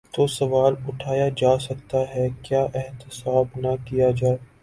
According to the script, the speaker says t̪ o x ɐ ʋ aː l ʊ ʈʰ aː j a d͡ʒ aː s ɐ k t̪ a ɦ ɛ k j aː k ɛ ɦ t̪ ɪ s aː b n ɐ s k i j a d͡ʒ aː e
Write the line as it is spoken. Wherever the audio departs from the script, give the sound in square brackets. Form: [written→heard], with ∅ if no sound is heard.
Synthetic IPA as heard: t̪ o [x→s] ɐ ʋ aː l ʊ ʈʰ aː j a d͡ʒ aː s ɐ k t̪ a ɦ ɛ k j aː [k→ʔ] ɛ ɦ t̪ ɪ s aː b n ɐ [s→∅] k i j a d͡ʒ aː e